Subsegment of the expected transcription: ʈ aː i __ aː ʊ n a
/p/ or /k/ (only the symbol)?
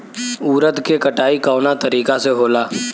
k